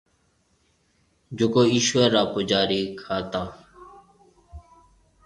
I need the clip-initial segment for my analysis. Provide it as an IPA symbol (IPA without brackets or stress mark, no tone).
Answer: d͡ʒ